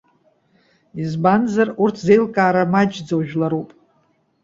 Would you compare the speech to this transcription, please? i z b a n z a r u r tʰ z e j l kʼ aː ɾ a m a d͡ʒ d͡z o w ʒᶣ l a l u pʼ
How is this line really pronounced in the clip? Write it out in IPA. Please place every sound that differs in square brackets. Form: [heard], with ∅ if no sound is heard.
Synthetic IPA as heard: i z b a n z a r u r tʰ z e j l kʼ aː ɾ a m a d͡ʒ d͡z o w ʒᶣ l a [ɾ] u pʼ